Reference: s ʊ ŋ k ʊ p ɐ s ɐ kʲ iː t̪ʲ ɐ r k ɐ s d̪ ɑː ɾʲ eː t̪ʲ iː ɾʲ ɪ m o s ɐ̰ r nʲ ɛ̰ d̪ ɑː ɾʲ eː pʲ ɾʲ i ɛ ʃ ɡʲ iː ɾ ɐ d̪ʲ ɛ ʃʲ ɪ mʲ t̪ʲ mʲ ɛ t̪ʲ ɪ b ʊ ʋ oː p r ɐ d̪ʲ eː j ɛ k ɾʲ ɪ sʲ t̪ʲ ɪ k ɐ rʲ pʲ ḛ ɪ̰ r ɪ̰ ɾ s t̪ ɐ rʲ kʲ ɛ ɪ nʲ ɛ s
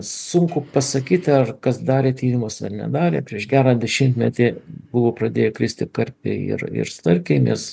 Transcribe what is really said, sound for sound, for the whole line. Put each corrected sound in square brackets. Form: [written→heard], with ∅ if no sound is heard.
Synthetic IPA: s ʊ ŋ k ʊ p ɐ s ɐ kʲ iː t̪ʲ ɐ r k ɐ s d̪ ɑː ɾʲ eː t̪ʲ iː ɾʲ ɪ m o s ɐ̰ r nʲ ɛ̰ d̪ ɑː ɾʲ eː pʲ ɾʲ i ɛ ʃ ɡʲ [iː→æː] ɾ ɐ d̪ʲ ɛ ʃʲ ɪ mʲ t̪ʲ mʲ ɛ t̪ʲ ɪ b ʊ ʋ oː p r ɐ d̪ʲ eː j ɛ k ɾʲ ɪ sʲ t̪ʲ ɪ k ɐ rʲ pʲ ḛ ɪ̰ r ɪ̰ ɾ s t̪ ɐ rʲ kʲ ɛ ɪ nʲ ɛ s